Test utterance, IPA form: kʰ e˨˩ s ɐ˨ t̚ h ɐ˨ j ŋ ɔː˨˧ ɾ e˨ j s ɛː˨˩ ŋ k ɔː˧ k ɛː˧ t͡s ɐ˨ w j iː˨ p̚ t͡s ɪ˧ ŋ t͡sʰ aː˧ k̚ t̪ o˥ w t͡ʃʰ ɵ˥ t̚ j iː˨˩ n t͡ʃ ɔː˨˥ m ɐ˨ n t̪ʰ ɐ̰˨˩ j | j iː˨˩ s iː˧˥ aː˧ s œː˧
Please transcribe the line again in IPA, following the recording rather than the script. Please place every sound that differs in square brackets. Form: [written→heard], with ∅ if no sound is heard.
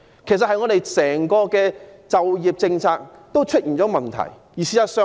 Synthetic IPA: kʰ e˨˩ s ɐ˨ t̚ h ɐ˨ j ŋ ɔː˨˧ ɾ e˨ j s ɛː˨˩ ŋ k ɔː˧ k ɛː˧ t͡s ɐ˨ w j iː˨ p̚ t͡s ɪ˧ ŋ t͡sʰ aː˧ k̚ t̪ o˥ w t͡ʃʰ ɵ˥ t̚ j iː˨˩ n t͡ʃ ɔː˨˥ m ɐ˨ n t̪ʰ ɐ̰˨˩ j | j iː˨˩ s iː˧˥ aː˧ s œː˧

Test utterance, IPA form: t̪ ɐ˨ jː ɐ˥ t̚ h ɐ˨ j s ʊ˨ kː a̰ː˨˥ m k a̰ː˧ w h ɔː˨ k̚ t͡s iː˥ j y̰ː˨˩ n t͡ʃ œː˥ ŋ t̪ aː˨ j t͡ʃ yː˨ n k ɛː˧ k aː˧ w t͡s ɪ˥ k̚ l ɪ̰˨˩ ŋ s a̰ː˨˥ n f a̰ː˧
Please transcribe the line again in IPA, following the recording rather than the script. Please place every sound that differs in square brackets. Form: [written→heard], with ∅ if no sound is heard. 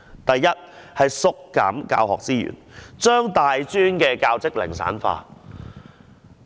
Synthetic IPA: t̪ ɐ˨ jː ɐ˥ t̚ h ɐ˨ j s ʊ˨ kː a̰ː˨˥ m k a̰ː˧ w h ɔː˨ k̚ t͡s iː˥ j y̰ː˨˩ n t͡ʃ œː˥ ŋ t̪ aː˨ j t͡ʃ [yː˨→yː˥] n k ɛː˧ k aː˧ w t͡s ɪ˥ k̚ l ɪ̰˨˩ ŋ s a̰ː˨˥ n f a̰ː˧

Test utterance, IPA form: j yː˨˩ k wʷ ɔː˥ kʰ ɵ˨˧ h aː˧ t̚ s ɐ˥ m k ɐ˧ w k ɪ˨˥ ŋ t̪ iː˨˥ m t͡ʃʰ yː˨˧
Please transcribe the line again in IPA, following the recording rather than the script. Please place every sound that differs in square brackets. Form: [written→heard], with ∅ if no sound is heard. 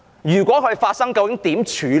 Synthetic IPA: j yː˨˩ k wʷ [ɔː˥→ɔː˨˥] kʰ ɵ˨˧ [h→f] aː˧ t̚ s ɐ˥ [m→ŋ] k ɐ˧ w k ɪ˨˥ ŋ t̪ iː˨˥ m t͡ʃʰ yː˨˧

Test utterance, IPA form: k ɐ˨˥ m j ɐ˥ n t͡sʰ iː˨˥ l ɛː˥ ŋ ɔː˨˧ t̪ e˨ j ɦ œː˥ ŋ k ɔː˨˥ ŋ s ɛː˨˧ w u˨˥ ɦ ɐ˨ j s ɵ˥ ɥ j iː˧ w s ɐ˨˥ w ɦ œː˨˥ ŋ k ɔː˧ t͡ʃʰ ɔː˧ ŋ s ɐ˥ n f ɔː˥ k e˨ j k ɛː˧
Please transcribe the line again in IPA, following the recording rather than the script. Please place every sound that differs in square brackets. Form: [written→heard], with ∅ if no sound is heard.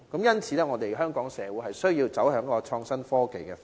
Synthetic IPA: k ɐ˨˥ m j ɐ˥ n t͡sʰ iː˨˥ l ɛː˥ ŋ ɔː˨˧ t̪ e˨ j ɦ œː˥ ŋ k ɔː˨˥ ŋ s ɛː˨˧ w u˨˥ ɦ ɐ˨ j s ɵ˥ ɥ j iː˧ w [s→t͡s] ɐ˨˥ w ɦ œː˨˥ ŋ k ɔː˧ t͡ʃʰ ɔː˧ ŋ s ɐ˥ n f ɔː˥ k e˨ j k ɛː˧

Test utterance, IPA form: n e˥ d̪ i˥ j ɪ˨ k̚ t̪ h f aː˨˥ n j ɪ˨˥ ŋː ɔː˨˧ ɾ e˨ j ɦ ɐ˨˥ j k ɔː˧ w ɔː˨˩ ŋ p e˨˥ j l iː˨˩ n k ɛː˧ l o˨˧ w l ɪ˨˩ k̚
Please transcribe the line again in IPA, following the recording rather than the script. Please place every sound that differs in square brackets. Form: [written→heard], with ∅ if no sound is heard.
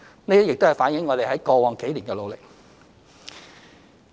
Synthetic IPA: n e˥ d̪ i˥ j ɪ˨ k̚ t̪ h f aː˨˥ n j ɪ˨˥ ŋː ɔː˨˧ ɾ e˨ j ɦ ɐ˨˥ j k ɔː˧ w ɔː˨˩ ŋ [p→k] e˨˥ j l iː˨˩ n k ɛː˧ l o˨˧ w l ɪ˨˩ k̚

